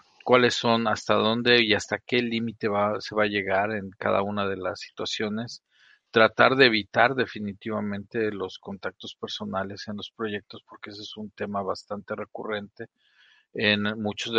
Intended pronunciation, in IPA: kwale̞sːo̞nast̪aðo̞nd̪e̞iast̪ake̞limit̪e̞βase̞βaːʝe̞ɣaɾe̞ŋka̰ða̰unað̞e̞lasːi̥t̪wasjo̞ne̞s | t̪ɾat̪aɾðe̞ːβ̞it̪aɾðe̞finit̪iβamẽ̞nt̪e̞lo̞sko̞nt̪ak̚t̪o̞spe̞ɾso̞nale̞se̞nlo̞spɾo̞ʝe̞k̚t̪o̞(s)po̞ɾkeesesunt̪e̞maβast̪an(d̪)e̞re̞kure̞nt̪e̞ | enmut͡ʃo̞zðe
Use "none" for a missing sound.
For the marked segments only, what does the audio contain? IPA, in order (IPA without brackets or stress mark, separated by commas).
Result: s, t̪